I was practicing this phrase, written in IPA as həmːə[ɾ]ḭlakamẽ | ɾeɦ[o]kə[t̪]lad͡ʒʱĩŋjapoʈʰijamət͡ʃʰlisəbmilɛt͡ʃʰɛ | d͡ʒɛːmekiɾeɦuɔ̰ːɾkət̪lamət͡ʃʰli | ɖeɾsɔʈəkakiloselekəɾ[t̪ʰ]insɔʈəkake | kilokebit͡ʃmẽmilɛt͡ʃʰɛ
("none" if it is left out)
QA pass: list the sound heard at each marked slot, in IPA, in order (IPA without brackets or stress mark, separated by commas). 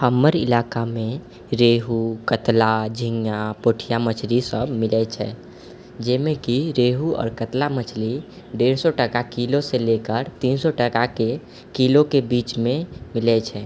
ɾ, u, t̪, t̪